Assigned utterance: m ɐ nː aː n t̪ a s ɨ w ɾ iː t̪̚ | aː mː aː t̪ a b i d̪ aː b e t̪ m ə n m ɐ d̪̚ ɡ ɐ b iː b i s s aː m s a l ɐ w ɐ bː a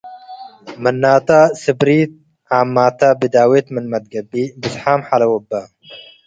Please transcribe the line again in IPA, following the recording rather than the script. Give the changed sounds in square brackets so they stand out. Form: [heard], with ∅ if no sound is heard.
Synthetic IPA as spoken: m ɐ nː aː [∅] t̪ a s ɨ [b] ɾ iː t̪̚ | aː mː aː t̪ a b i d̪ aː [w] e t̪ m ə n m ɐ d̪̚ ɡ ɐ b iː b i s [ħ] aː m [ħ] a l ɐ w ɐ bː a